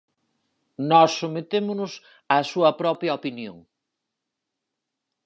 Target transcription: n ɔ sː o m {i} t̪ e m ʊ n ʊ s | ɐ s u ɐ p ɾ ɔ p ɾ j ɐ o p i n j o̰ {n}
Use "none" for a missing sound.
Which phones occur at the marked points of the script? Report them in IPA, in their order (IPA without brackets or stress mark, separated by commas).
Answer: e, ŋ